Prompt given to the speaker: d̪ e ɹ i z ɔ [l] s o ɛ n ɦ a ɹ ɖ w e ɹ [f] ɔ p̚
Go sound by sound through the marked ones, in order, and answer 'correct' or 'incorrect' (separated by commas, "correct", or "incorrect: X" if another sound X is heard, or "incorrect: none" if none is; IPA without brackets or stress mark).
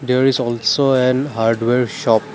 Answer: correct, incorrect: ʃ